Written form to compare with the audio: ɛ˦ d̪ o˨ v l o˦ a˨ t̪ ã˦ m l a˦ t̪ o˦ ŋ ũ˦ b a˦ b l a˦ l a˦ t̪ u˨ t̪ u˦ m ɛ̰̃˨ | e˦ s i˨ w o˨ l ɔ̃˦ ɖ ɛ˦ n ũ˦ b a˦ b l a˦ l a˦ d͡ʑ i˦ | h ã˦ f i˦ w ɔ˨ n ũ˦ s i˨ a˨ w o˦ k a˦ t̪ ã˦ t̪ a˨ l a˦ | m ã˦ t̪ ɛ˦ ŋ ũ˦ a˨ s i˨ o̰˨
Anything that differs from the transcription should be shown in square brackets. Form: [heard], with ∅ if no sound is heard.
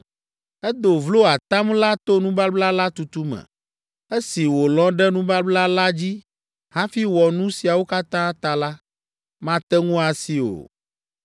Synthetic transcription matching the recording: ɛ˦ d̪ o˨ v l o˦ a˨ t̪ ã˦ m l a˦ t̪ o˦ [n] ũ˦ b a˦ b l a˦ l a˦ t̪ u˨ t̪ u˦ m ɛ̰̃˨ | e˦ s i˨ w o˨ l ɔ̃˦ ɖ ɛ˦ n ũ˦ b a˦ b l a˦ l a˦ d͡ʑ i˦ | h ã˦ f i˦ w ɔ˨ n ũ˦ s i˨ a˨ w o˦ k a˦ t̪ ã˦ t̪ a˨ l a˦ | m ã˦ t̪ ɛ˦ ŋ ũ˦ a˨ s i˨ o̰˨